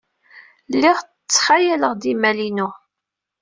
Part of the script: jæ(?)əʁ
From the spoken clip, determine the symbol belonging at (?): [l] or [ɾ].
l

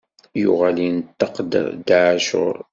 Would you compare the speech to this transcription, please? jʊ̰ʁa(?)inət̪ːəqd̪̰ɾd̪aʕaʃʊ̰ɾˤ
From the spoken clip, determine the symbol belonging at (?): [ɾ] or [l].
l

